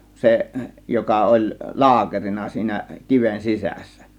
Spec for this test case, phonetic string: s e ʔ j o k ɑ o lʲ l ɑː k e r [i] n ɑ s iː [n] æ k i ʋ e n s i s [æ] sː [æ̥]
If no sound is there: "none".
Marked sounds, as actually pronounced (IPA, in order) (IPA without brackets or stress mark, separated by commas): i, n, æ, æ̥